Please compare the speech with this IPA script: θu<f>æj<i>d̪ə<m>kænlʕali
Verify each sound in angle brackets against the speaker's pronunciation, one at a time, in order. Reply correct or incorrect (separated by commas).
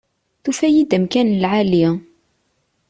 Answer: correct, correct, correct